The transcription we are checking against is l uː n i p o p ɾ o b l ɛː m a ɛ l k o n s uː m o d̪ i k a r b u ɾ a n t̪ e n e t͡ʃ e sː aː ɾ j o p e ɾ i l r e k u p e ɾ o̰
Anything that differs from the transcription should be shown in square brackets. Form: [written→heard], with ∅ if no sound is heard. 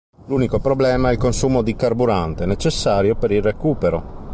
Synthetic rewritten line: l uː n i [p→k] o p ɾ o b l ɛː m a ɛ l k o n s uː m o d̪ i k a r b u ɾ a n t̪ e n e t͡ʃ e sː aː ɾ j o p e ɾ i l r e k [u→uː] p e ɾ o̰